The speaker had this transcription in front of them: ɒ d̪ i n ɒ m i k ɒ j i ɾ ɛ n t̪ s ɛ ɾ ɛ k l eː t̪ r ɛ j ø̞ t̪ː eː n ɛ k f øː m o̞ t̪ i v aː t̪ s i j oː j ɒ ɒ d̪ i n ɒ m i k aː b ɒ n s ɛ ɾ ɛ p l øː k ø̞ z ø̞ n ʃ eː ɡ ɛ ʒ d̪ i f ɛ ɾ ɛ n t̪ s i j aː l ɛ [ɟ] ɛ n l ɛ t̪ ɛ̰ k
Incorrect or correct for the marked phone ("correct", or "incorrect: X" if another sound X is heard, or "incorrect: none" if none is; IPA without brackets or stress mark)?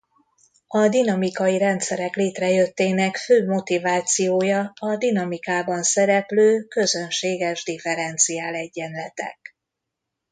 incorrect: ɟː